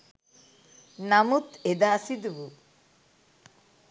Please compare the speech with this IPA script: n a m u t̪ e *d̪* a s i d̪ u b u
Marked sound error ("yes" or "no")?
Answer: no